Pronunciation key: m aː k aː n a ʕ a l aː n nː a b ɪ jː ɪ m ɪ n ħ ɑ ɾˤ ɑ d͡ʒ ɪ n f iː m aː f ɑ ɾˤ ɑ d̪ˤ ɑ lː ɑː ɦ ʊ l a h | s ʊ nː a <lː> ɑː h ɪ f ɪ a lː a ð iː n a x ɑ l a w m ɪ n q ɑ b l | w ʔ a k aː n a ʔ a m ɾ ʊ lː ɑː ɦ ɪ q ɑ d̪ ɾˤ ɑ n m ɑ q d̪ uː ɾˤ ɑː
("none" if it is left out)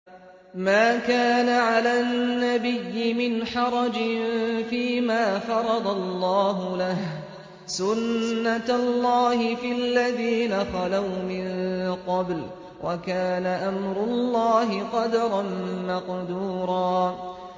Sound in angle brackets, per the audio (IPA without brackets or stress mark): lː